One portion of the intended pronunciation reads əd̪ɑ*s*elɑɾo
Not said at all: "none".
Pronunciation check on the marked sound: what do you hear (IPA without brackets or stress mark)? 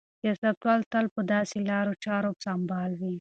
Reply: s